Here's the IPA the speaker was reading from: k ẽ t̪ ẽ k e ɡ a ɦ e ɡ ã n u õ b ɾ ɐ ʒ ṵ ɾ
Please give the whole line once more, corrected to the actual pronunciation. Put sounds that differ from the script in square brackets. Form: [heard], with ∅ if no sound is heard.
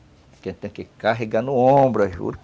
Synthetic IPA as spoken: k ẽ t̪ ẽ k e [k] a ɦ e ɡ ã n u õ b ɾ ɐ ʒ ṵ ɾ